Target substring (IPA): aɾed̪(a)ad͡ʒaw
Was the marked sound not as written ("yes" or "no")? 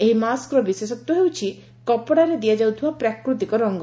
yes